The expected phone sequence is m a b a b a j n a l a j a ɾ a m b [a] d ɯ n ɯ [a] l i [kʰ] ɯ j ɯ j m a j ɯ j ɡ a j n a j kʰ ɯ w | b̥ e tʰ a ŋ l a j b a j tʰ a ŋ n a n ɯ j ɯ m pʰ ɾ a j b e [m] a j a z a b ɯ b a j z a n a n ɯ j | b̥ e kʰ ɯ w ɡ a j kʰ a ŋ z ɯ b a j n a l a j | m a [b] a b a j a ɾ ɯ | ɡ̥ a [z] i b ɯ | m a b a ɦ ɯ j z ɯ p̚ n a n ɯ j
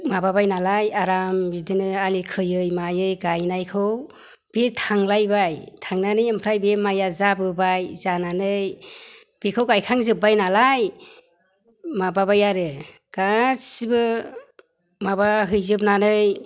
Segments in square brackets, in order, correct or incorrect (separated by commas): incorrect, correct, correct, correct, correct, incorrect